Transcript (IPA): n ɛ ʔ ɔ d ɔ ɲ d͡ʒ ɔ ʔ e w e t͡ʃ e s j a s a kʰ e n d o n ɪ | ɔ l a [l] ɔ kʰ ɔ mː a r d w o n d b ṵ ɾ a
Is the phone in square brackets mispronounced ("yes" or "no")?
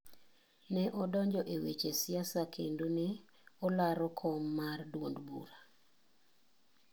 yes